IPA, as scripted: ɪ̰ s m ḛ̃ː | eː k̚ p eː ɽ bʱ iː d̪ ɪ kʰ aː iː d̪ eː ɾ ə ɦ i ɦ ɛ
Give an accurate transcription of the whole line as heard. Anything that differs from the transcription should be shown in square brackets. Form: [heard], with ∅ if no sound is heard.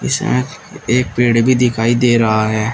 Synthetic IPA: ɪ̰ s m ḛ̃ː | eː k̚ p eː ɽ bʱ iː d̪ ɪ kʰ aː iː d̪ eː ɾ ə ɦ [a] ɦ [ɛː]

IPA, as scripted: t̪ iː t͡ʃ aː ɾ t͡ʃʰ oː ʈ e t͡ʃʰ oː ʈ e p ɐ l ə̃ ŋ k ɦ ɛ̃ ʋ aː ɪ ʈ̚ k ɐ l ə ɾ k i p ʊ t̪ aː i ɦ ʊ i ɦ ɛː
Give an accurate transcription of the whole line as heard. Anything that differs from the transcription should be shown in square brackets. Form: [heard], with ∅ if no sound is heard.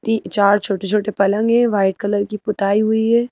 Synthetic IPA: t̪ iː t͡ʃ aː ɾ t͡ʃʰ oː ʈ e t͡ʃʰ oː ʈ e p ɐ l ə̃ ŋ [ɡ] ɦ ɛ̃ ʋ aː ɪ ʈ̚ k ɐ l ə ɾ k i p ʊ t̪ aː i ɦ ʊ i ɦ ɛː

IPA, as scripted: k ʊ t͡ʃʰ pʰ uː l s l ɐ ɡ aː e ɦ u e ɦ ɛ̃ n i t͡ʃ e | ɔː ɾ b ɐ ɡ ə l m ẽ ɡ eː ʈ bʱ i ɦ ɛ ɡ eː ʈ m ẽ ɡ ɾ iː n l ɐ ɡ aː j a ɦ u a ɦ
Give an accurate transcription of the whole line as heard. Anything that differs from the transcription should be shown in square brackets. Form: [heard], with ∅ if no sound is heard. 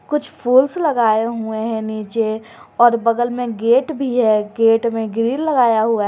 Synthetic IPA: k ʊ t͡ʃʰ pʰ uː l s l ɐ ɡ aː e ɦ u e ɦ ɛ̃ n [iː] t͡ʃ e | ɔː ɾ b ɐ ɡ ə l m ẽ ɡ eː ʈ bʱ i ɦ ɛ ɡ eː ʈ m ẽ ɡ ɾ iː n l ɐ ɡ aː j a ɦ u a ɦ

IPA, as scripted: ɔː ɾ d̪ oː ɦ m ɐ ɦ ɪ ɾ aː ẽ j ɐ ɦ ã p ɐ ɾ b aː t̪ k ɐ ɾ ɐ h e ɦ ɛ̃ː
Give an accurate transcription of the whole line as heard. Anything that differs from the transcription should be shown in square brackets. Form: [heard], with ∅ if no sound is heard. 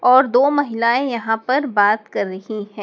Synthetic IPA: ɔː ɾ d̪ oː [∅] m ɐ ɦ ɪ [l] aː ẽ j ɐ ɦ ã p ɐ ɾ b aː t̪ k ɐ [ɾː] ɐ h [i] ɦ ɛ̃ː

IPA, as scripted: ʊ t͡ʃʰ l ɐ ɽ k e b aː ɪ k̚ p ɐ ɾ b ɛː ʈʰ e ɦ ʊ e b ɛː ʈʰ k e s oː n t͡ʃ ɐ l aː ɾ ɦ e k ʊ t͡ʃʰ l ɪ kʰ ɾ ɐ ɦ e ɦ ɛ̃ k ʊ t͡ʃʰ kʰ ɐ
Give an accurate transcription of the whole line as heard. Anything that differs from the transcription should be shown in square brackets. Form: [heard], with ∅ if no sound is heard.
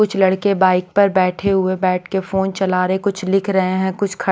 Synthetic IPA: ʊ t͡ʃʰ l ɐ ɽ k e b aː ɪ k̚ p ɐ ɾ b ɛː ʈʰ e ɦ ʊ e b ɛː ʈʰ k e [f] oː n t͡ʃ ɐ l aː ɾ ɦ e k ʊ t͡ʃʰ l ɪ kʰ ɾ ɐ ɦ e ɦ ɛ̃ k ʊ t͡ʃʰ kʰ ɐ

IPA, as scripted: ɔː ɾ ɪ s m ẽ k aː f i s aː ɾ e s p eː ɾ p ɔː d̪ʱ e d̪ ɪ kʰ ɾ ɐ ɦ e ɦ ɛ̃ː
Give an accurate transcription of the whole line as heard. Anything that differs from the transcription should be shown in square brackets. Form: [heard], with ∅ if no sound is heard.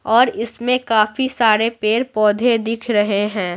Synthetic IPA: ɔː ɾ ɪ s m ẽ k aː f i s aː ɾ e [∅] p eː ɾ p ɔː d̪ʱ e d̪ ɪ kʰ ɾ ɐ ɦ e ɦ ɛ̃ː

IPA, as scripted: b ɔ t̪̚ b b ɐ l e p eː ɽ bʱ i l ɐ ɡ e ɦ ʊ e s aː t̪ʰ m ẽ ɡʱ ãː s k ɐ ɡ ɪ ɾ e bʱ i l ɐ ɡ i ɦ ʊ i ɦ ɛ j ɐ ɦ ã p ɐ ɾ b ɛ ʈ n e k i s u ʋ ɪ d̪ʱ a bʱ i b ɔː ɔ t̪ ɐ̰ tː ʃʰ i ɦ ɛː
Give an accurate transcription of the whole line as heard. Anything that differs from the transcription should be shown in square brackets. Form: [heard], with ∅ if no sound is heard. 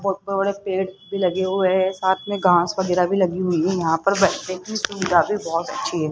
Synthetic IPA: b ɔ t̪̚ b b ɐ [ɽ] e p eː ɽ bʱ i l ɐ ɡ e ɦ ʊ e s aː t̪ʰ m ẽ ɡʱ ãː s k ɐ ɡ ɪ ɾ [a] bʱ i l ɐ ɡ i ɦ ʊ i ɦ ɛ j ɐ ɦ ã p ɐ ɾ b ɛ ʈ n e k i s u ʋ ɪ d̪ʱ a bʱ i b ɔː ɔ t̪ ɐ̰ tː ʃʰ i ɦ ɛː

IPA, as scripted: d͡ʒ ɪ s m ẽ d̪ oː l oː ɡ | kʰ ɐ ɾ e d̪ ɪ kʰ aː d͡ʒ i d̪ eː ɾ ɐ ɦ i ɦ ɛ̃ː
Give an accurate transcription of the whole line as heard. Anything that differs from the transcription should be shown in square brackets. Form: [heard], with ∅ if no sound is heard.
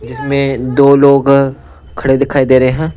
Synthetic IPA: d͡ʒ ɪ s m ẽ d̪ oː l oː ɡ | kʰ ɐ [ɽ] e d̪ ɪ kʰ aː [∅] i d̪ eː ɾ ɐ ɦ [e] ɦ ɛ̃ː

